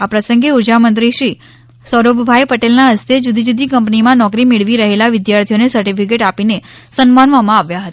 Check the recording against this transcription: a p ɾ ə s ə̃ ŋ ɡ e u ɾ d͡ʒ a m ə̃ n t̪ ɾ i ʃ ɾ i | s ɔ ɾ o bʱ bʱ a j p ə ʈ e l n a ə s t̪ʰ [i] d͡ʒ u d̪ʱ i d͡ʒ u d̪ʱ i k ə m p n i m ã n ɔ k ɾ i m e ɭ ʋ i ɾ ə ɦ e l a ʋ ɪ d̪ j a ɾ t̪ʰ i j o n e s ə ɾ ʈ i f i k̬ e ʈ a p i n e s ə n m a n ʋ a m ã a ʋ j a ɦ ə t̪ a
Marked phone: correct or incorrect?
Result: incorrect